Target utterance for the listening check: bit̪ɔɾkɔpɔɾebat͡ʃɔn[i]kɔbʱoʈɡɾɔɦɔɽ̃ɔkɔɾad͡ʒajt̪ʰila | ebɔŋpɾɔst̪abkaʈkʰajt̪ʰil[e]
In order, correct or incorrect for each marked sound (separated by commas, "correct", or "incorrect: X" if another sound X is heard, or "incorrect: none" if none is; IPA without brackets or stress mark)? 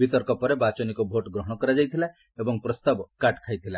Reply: correct, incorrect: a